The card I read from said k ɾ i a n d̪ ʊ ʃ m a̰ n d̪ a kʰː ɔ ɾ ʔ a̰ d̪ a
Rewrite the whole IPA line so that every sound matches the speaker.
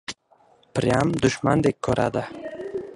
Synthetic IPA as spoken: p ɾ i a m d̪ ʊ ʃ m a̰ n d̪ e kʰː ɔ ɾ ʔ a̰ d̪ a